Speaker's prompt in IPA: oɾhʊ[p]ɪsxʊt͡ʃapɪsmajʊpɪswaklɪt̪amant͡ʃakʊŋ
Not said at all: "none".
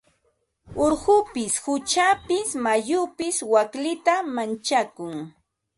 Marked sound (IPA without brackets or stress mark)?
p